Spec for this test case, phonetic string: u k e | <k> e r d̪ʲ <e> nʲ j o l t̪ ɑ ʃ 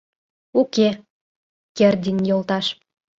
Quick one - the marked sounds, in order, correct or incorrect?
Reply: correct, incorrect: i

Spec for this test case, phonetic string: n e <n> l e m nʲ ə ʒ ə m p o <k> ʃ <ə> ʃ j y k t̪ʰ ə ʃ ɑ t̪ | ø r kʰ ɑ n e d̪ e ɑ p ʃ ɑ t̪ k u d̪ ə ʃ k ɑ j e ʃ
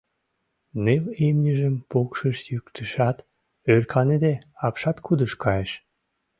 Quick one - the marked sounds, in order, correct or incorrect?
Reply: incorrect: none, correct, correct

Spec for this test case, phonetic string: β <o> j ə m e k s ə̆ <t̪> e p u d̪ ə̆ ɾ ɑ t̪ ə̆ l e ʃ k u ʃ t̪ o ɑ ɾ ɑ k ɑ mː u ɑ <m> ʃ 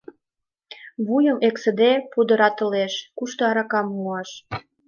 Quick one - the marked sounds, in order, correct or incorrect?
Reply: incorrect: u, incorrect: d̪, incorrect: none

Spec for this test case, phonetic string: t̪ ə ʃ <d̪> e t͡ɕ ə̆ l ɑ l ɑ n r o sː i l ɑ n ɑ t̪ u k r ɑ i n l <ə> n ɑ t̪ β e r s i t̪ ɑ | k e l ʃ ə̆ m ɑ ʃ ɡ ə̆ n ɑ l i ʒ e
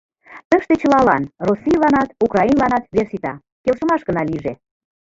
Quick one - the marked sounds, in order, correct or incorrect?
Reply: incorrect: t̪, incorrect: ɑ

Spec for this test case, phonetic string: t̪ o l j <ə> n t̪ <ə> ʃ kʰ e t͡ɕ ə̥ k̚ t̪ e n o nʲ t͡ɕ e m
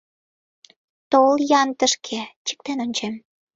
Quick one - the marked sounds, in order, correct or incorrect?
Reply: incorrect: ɑ, correct

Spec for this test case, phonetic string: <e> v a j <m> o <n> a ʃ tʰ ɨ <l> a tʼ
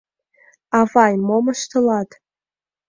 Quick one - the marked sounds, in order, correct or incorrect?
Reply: incorrect: a, correct, incorrect: m, correct

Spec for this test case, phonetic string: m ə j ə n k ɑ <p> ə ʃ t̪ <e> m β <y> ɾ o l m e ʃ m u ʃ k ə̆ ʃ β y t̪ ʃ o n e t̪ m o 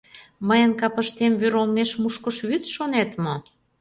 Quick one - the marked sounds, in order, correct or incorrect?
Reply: correct, correct, correct

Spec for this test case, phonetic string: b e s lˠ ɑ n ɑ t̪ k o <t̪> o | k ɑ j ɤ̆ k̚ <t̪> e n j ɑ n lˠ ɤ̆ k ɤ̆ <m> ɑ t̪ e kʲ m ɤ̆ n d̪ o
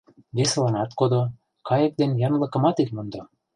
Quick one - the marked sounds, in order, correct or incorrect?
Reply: incorrect: d̪, incorrect: d̪, correct

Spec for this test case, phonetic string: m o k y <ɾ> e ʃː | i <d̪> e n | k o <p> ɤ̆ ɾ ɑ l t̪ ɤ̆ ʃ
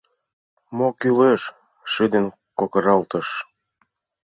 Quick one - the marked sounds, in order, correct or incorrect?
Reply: incorrect: l, correct, incorrect: k

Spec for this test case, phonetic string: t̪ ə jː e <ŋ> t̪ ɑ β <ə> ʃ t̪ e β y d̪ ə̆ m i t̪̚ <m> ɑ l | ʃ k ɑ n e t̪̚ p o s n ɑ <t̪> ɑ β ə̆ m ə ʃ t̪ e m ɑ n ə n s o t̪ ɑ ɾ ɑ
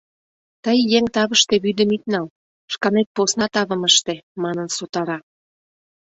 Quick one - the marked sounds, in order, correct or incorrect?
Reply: correct, correct, incorrect: n, correct

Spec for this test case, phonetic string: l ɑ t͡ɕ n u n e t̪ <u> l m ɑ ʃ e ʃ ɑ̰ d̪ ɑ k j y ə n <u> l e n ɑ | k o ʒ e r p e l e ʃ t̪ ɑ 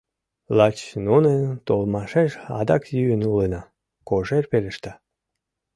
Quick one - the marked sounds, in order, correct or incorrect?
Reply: incorrect: o, correct

